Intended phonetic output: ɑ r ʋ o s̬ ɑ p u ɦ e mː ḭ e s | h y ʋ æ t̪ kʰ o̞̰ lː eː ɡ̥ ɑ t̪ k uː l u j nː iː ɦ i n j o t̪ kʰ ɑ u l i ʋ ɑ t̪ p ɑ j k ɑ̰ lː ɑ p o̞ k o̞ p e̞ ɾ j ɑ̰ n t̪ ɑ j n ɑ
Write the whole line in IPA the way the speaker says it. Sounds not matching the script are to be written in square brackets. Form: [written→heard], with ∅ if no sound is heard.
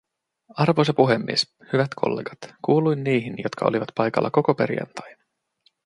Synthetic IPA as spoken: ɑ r ʋ o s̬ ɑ p u ɦ e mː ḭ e s | h y ʋ æ t̪ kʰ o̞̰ lː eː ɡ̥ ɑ t̪ k uː l u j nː iː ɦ i n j o t̪ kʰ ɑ [u→o] l i ʋ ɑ t̪ p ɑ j k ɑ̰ lː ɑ [p→k] o̞ k o̞ p e̞ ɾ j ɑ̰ n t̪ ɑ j n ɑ